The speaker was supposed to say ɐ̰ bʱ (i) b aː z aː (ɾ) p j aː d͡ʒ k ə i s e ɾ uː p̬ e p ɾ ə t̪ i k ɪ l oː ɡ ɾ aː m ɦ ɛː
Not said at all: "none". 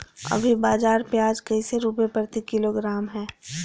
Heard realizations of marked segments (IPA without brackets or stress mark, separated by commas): i, ɾ